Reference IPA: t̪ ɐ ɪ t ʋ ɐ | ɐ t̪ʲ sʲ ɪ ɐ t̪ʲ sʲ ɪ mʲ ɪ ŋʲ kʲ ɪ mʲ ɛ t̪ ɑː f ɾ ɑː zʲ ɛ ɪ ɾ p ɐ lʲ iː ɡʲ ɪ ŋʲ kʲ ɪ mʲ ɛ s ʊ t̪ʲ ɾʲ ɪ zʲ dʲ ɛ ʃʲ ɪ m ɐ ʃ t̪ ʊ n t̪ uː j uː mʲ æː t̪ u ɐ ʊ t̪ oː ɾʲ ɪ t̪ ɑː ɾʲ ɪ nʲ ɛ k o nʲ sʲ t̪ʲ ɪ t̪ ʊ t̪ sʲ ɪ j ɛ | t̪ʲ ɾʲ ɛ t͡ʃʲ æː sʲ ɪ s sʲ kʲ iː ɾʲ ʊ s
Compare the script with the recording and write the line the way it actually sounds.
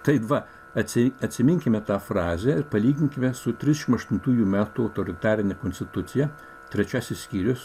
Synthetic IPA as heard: t̪ ɐ ɪ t ʋ ɐ | ɐ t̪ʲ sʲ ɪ ɐ t̪ʲ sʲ ɪ mʲ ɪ ŋʲ kʲ ɪ mʲ ɛ t̪ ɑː f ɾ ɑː zʲ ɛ ɪ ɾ p ɐ lʲ iː ɡʲ ɪ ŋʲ kʲ ɪ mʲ ɛ s ʊ t̪ʲ ɾʲ ɪ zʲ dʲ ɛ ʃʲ ɪ m ɐ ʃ t̪ ʊ n t̪ uː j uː mʲ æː t̪ u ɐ ʊ t̪ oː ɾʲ ɪ t̪ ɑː ɾʲ ɪ nʲ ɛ k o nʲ sʲ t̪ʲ ɪ t̪ ʊ t̪ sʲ ɪ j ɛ | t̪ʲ ɾʲ ɛ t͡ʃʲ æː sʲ ɪ s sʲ kʲ iː ɾʲ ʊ s